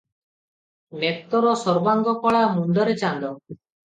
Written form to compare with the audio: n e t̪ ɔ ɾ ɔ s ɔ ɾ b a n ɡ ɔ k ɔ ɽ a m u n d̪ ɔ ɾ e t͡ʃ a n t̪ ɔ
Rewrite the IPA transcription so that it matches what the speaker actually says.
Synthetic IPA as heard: n e t̪ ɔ ɾ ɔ s ɔ ɾ b a ŋ ɡ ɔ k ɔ ɭ a m u n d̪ ɔ ɾ e t͡ʃ a n d̪ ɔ